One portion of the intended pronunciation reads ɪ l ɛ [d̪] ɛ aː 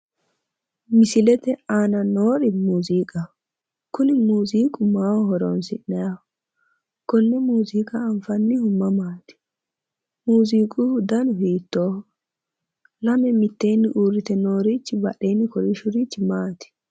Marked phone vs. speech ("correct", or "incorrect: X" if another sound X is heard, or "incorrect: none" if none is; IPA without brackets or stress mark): incorrect: t̪